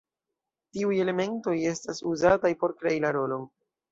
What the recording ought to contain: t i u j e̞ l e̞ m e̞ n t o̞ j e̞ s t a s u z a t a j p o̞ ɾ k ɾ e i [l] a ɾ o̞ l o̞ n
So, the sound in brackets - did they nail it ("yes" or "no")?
yes